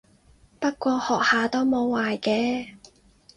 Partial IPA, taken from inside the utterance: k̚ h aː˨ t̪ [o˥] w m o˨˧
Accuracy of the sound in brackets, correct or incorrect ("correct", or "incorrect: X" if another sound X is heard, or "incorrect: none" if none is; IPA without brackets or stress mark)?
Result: correct